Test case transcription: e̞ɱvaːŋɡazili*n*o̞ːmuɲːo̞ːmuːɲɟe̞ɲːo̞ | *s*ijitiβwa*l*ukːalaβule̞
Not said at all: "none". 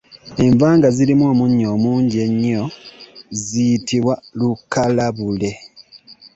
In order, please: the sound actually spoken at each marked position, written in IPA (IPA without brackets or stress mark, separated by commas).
m, z, l